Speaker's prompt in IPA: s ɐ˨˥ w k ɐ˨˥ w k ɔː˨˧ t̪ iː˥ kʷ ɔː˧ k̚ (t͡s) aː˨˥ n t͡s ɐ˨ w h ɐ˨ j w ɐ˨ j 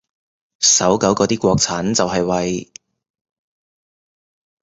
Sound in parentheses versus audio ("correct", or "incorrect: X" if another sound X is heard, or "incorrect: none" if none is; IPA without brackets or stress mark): incorrect: t͡sʰ